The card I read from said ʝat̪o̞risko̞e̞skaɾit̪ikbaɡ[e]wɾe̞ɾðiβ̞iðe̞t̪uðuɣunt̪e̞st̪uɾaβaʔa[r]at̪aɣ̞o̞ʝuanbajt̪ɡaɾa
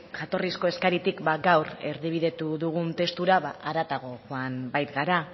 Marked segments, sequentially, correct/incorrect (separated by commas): incorrect, incorrect